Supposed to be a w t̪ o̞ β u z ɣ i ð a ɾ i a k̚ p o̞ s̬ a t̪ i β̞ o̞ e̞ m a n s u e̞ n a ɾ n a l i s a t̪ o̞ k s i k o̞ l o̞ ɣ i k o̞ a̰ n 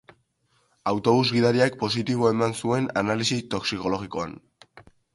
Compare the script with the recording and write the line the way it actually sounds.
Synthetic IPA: a w t̪ o̞ β u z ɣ i ð a ɾ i a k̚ p o̞ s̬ i t̪ i β̞ o̞ e̞ m a n s u e̞ n a n a l i s i t̪ o̞ k s i k o̞ l o̞ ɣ i k o̞ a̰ n